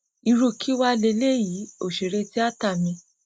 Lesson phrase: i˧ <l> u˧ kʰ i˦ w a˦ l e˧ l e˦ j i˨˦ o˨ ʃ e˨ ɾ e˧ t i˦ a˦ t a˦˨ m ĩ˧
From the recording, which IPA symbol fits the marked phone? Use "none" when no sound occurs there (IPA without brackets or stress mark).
ɾ